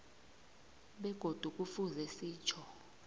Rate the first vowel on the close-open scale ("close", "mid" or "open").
mid